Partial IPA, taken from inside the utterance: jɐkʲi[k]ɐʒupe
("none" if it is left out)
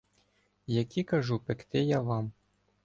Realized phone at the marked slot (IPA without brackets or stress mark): k